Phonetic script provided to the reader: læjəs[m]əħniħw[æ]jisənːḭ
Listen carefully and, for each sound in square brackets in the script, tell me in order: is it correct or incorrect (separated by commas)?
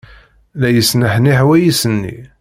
incorrect, correct